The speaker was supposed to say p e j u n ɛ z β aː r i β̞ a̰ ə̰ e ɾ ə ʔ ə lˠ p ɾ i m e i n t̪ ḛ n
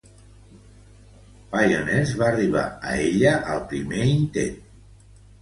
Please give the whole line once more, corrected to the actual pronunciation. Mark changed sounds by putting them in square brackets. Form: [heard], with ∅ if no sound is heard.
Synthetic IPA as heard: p [a] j [o] n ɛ z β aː r i β̞ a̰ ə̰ e [ʎ] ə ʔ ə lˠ p ɾ i m e i n t̪ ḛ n